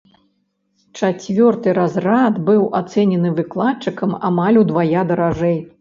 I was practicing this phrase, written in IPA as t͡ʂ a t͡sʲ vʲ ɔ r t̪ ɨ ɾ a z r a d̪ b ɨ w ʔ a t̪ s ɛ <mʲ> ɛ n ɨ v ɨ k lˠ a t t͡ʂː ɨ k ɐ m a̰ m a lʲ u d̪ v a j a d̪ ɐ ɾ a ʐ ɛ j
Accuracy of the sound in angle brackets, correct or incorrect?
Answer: incorrect